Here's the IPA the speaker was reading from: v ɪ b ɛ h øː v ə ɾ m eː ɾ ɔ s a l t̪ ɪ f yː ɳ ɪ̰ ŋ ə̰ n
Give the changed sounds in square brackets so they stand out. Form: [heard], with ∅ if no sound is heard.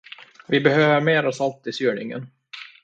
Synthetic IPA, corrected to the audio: v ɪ b ɛ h øː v ə ɾ m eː ɾ ɔ s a l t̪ ɪ [s] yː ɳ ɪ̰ ŋ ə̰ n